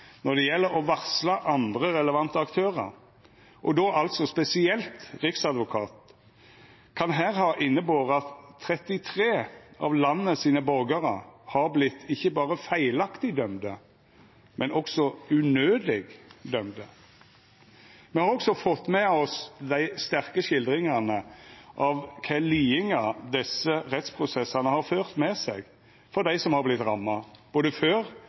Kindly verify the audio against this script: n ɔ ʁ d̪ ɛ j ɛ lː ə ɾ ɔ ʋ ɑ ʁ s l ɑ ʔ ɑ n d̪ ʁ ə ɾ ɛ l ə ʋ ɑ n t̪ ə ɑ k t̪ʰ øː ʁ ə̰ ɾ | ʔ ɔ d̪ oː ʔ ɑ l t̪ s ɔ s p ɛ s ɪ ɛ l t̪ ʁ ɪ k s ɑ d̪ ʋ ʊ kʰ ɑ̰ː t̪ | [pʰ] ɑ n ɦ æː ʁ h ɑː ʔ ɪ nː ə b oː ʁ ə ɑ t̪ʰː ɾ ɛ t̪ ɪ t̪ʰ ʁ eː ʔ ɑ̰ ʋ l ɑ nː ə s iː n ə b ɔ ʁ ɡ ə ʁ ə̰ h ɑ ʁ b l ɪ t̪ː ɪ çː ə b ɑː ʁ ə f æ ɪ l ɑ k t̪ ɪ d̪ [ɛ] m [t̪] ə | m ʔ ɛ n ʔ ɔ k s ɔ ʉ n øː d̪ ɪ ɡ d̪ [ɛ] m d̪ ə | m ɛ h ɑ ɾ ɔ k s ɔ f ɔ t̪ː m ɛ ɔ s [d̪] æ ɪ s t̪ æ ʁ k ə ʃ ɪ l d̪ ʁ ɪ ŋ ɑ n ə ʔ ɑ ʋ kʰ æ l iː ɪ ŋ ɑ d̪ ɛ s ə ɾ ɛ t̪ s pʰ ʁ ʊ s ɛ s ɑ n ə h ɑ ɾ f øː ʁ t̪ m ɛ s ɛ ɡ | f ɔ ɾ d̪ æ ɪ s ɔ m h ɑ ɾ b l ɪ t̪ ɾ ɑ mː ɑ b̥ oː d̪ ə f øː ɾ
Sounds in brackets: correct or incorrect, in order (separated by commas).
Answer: incorrect, incorrect, incorrect, incorrect, correct